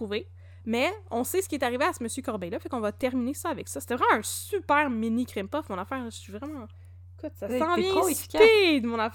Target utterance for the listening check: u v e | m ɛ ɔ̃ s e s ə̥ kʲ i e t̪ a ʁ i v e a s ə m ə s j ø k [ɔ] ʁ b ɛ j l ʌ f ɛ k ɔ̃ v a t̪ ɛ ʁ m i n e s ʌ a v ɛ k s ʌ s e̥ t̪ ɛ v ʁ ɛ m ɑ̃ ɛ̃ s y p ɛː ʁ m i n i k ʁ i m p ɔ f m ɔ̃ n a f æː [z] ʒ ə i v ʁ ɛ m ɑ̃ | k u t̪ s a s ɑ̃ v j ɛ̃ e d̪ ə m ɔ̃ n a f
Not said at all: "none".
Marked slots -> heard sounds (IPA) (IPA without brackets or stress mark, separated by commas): ɔ, ʁ